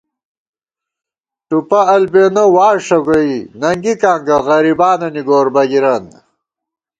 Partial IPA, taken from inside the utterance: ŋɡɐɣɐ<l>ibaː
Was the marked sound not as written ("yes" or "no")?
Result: yes